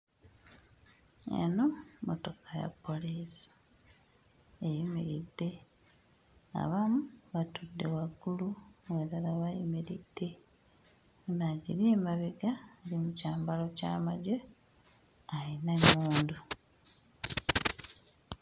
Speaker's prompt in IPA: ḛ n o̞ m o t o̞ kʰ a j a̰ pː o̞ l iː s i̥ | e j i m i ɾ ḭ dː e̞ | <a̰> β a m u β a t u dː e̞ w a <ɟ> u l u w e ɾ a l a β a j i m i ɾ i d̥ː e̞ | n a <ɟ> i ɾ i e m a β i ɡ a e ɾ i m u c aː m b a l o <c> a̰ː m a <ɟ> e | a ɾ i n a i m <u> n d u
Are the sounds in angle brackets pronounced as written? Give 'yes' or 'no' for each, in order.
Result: yes, no, yes, yes, yes, no

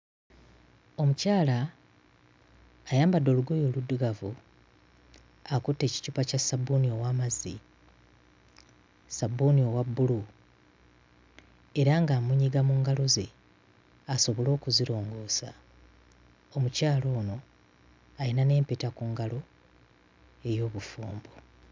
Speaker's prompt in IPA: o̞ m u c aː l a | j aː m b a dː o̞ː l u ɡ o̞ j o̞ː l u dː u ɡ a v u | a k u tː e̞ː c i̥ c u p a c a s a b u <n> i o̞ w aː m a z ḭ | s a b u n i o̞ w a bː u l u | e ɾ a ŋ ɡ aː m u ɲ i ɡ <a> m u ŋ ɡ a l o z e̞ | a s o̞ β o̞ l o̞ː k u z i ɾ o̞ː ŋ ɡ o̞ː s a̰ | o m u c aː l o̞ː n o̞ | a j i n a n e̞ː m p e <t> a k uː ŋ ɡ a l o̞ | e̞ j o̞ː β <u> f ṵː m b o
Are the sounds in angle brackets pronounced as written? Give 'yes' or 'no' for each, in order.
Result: yes, yes, yes, yes

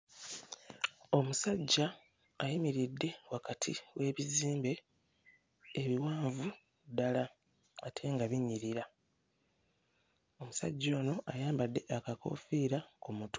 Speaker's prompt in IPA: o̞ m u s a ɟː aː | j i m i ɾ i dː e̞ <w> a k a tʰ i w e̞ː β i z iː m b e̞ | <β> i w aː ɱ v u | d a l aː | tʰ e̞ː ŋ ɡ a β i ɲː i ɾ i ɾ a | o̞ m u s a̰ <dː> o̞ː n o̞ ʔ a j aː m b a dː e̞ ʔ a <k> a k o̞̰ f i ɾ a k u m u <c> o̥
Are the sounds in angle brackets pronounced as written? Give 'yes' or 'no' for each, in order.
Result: yes, yes, no, yes, no

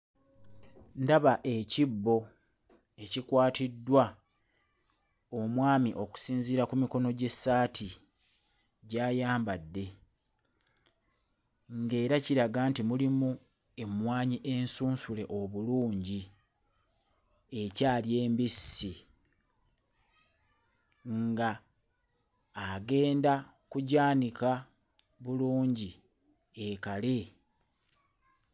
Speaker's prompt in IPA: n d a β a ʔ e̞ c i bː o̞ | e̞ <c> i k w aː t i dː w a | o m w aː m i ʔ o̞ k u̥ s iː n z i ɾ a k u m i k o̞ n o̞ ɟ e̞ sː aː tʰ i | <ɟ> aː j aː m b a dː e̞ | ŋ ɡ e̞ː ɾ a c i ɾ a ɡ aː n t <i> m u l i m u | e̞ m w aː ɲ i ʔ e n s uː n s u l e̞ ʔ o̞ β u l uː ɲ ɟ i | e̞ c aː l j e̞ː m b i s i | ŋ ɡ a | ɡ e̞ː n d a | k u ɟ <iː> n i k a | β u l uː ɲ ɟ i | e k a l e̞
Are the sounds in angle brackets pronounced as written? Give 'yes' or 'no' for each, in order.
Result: yes, yes, yes, no

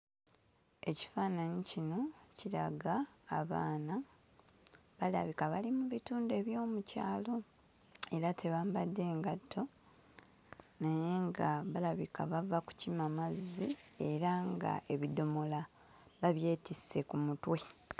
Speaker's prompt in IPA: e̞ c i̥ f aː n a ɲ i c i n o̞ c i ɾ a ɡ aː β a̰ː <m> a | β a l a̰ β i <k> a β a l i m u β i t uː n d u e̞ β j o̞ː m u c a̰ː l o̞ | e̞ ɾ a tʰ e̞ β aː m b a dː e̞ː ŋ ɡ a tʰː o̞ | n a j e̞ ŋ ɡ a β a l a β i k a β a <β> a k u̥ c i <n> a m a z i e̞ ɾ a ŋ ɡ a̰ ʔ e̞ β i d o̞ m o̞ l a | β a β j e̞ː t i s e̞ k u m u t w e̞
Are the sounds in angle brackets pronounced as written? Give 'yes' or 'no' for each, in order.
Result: no, yes, no, no

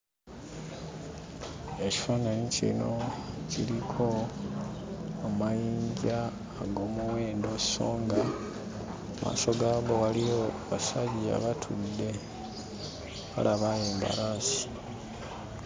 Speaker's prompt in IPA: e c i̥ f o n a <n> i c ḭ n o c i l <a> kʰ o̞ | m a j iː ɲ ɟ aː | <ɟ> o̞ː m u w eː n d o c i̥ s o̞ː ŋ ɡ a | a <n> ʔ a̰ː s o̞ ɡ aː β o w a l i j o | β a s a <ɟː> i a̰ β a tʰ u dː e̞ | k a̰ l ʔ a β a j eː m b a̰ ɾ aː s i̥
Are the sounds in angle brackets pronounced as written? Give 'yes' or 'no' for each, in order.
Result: yes, no, no, no, no

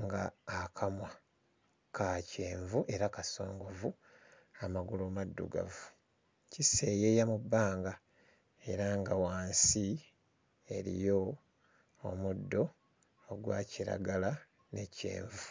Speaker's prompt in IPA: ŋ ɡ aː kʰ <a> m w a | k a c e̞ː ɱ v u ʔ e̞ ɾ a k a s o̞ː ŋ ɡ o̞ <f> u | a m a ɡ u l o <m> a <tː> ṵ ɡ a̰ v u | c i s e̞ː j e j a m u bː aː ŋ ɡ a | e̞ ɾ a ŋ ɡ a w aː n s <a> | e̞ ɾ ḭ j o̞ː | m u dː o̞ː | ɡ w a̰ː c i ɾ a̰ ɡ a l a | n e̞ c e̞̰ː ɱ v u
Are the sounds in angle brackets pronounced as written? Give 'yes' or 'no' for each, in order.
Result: yes, no, yes, no, no

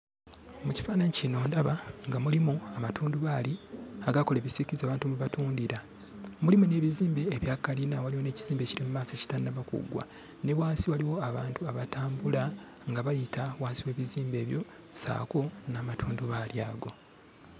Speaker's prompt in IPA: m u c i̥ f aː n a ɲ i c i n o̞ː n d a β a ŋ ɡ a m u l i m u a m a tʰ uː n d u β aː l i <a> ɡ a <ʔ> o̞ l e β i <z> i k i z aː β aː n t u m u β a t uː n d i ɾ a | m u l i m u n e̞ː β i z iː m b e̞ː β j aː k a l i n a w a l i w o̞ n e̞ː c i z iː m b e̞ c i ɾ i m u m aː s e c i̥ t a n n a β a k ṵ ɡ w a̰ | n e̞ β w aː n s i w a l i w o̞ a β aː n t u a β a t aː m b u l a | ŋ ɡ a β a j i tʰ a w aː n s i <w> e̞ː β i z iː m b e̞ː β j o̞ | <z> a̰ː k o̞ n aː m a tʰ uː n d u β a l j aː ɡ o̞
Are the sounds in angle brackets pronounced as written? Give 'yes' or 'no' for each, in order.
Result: yes, no, no, yes, no

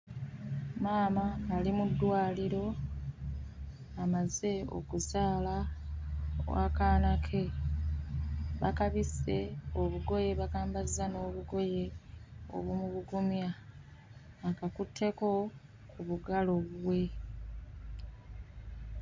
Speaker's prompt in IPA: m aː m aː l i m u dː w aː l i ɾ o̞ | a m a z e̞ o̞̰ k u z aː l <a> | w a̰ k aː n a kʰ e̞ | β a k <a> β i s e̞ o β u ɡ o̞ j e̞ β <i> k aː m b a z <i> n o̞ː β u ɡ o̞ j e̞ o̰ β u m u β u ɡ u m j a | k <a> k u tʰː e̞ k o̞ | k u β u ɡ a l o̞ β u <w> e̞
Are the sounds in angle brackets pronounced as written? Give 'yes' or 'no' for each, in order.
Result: yes, yes, no, no, yes, yes

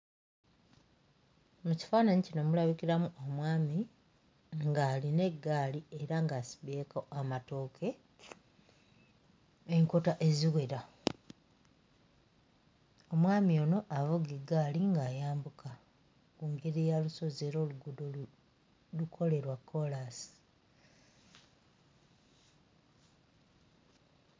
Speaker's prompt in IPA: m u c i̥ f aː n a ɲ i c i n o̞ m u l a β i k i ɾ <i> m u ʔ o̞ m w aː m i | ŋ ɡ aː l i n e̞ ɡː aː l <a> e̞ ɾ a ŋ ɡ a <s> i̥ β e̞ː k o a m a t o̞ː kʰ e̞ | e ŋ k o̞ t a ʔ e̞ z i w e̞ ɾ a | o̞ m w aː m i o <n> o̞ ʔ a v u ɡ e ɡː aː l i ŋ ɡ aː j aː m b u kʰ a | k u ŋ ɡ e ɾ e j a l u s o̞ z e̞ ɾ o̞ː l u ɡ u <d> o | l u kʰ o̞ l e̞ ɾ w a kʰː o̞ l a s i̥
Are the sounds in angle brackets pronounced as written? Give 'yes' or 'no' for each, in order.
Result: no, no, yes, yes, yes

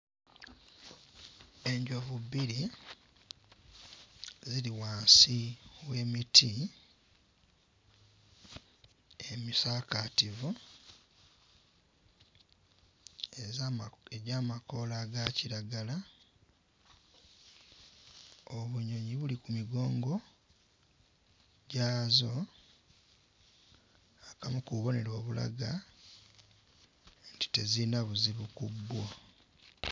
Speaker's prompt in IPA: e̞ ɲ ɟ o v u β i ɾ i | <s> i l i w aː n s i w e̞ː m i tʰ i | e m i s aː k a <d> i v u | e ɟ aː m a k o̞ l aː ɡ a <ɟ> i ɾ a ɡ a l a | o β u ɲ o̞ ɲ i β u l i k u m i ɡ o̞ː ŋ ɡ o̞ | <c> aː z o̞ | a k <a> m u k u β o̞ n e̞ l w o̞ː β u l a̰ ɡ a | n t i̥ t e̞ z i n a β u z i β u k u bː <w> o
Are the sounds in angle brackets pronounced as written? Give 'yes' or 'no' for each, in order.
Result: no, no, no, no, yes, yes

